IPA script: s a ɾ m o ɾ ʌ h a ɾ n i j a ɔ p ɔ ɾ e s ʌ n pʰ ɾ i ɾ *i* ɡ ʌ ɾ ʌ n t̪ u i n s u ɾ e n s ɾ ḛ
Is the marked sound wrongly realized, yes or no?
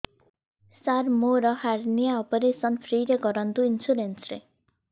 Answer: yes